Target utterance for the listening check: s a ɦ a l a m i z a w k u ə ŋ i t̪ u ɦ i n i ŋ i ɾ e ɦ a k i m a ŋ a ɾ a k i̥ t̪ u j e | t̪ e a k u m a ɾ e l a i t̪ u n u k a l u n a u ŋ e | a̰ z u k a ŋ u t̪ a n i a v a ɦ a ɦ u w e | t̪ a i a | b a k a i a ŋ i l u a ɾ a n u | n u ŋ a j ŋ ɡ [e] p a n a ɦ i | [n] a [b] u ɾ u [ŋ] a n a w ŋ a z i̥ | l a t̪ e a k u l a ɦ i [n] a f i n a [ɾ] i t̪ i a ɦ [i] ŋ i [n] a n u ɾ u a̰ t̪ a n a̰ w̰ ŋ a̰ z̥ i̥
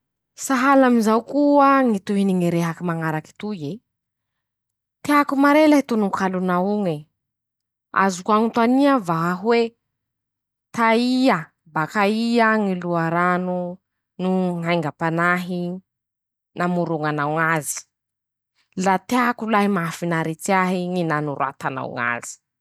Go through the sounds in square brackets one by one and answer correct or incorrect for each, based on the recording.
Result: incorrect: a, correct, incorrect: m, correct, incorrect: m, correct, correct, correct

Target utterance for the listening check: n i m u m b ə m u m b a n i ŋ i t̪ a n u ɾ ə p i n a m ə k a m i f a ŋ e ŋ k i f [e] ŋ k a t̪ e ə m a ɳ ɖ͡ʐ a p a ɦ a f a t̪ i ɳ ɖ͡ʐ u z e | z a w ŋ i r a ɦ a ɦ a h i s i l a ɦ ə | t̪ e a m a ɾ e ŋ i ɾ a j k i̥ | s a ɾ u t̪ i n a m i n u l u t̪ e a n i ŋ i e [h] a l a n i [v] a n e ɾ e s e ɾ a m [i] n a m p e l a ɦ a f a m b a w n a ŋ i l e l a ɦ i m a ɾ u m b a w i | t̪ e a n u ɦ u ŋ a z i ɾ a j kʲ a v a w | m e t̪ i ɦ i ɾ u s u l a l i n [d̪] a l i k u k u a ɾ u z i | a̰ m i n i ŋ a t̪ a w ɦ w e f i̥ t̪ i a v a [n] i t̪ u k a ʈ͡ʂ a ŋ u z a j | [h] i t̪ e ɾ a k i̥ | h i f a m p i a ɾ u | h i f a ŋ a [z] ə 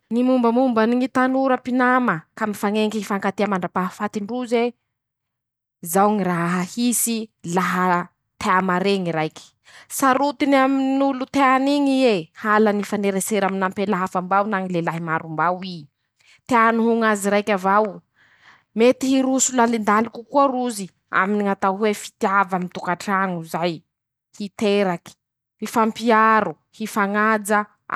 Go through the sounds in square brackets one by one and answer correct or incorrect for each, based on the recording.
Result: incorrect: a, correct, incorrect: f, correct, correct, incorrect: m, correct, incorrect: d͡z

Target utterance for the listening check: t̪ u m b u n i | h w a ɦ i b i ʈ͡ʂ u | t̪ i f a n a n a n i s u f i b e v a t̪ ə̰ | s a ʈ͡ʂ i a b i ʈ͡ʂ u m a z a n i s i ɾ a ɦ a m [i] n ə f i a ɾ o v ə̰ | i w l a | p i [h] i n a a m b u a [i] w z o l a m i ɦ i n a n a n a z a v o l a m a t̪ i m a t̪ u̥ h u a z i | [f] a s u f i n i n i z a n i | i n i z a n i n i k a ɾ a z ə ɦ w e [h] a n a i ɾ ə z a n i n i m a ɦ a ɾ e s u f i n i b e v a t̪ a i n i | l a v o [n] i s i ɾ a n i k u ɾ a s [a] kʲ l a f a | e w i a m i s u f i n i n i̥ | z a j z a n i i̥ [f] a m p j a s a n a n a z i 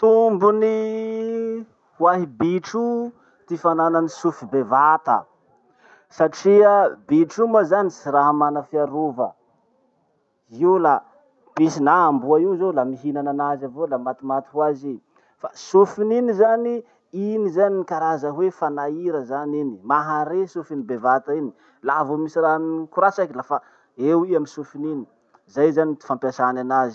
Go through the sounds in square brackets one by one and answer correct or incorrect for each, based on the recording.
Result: incorrect: a, incorrect: s, correct, correct, incorrect: f, incorrect: m, correct, correct

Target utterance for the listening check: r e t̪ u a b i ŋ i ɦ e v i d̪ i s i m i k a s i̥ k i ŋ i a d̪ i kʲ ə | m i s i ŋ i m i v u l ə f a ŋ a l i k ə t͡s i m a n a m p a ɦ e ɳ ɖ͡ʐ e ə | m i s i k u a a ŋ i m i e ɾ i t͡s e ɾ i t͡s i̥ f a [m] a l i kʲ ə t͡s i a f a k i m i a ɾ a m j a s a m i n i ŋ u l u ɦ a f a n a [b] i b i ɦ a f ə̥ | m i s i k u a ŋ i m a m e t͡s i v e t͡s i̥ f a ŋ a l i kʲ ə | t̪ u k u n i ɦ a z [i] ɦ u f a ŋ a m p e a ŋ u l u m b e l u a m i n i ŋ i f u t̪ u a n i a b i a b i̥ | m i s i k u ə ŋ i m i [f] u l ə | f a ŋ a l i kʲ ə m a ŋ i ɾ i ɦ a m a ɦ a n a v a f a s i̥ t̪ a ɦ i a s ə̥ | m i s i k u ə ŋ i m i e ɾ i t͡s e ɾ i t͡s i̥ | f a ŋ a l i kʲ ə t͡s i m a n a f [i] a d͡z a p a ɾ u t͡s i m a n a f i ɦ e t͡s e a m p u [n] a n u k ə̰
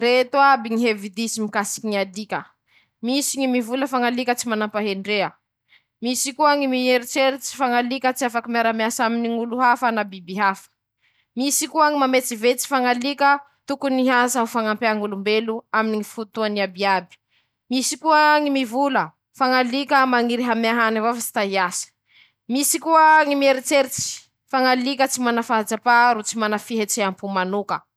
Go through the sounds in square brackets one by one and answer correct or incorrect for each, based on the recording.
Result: incorrect: ŋ, correct, incorrect: a, incorrect: v, incorrect: a, incorrect: m

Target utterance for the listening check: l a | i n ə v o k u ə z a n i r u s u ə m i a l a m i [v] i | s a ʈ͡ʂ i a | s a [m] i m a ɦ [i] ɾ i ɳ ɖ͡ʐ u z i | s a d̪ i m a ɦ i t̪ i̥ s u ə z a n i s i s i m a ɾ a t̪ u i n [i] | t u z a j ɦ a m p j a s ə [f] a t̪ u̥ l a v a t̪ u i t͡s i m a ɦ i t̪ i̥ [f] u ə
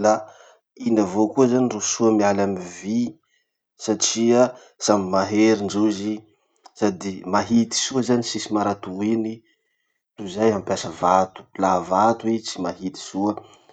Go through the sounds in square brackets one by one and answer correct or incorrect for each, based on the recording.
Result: correct, correct, incorrect: e, correct, incorrect: v, incorrect: s

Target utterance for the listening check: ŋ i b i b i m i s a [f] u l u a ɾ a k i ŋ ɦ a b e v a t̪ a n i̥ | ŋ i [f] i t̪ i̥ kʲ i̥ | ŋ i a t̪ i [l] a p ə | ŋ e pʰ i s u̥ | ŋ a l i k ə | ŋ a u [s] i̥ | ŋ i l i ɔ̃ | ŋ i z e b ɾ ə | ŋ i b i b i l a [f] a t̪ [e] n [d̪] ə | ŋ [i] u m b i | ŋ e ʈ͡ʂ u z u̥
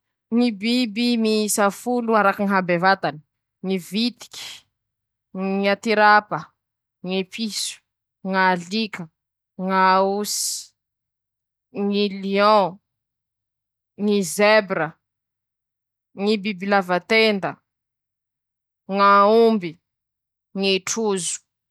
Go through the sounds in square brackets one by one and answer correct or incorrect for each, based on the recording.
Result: correct, incorrect: v, incorrect: ɾ, correct, incorrect: v, correct, correct, incorrect: a

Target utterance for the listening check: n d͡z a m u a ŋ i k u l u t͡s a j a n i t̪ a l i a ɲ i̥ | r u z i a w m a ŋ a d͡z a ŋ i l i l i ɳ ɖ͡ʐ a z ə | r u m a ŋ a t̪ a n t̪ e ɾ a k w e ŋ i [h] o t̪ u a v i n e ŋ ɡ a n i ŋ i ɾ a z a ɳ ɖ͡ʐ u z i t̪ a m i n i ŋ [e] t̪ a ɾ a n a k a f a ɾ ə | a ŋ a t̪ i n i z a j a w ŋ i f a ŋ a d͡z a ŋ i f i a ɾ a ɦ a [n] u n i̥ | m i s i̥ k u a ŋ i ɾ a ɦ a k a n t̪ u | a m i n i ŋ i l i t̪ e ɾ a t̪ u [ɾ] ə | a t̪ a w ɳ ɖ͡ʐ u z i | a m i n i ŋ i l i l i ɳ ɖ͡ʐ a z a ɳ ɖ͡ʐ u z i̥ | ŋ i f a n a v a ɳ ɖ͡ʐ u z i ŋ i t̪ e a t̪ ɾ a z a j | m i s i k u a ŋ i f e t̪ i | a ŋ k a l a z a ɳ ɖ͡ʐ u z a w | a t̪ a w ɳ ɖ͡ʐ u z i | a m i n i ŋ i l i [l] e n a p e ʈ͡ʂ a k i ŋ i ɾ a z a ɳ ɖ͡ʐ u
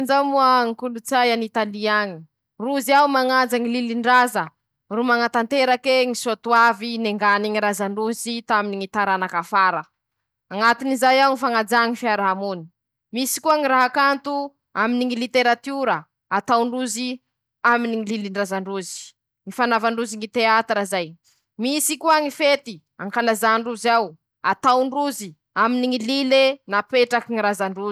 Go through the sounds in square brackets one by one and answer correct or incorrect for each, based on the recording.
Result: incorrect: s, incorrect: i, incorrect: m, correct, correct

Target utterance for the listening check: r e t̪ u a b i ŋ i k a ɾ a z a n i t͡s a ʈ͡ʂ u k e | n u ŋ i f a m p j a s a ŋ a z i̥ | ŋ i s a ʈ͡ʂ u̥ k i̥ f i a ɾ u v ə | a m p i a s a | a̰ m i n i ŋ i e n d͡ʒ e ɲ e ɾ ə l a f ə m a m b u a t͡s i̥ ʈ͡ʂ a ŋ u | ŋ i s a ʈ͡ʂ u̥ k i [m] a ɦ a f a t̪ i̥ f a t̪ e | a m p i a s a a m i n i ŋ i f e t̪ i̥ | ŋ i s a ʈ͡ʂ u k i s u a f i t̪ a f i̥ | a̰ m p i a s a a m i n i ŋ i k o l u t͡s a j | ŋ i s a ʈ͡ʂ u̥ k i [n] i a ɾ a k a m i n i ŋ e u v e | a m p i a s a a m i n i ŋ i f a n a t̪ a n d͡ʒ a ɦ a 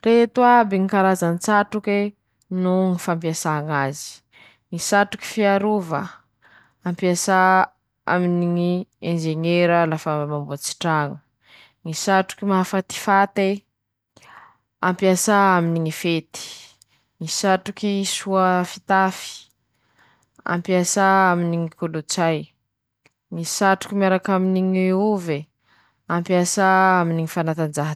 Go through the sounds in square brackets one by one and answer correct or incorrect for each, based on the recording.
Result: correct, incorrect: m

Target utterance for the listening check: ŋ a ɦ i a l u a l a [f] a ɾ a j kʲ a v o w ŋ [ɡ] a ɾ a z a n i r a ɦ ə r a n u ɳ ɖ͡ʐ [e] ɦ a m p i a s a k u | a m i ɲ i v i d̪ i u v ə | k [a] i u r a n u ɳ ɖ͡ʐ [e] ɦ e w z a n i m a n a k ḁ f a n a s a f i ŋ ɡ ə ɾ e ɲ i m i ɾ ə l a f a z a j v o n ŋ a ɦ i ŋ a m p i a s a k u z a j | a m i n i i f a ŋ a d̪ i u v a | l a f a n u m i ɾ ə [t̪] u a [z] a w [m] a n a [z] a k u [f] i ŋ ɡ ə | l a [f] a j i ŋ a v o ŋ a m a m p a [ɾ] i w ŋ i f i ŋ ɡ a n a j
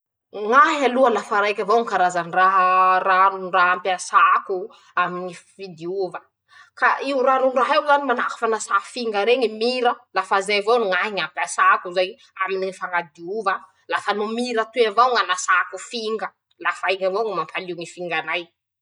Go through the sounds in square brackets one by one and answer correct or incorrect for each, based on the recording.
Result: correct, incorrect: k, incorrect: a, correct, incorrect: a, correct, incorrect: v, incorrect: ŋ, incorrect: s, correct, correct, incorrect: l

